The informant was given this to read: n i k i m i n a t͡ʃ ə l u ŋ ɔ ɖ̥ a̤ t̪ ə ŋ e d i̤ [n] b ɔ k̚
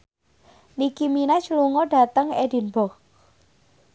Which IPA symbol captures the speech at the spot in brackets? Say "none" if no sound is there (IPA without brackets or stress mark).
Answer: n